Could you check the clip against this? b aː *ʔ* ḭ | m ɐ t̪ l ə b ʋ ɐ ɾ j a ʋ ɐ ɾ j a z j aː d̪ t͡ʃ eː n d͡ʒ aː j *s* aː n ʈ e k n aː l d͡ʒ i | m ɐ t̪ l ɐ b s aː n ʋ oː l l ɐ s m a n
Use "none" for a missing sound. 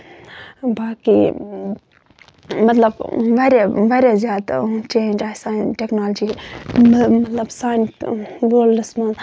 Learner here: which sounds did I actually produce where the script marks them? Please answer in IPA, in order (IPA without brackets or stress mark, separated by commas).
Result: k, s